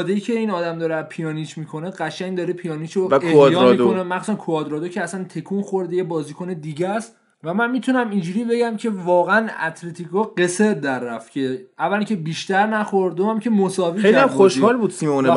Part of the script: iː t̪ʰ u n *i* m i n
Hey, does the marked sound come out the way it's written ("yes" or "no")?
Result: no